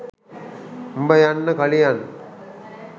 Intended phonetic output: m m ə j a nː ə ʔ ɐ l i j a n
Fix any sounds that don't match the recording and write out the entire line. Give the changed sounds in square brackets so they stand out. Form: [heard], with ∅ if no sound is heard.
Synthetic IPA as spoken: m [b] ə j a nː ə [k] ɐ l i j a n